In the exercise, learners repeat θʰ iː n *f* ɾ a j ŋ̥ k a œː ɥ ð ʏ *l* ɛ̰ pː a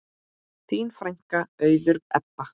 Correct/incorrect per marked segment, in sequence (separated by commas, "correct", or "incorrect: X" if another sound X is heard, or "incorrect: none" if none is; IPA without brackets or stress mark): correct, incorrect: ɾ